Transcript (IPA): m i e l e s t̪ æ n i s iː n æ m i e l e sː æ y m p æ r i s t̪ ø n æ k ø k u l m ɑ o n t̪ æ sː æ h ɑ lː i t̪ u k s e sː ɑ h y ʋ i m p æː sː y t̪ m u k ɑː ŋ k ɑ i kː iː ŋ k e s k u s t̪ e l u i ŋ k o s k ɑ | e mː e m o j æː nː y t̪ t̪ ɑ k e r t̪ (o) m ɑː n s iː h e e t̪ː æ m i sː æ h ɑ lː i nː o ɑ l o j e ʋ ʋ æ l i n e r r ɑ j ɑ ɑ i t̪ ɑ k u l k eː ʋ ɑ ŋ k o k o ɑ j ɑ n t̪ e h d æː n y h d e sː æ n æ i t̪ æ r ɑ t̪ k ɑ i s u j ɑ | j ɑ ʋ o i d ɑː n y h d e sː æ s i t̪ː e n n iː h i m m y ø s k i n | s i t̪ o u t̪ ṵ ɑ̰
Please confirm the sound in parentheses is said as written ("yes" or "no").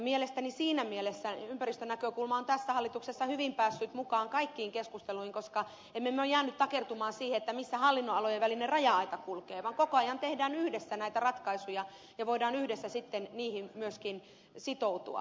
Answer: no